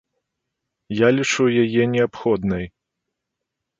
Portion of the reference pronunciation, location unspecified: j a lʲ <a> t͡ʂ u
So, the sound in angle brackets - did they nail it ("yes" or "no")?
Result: no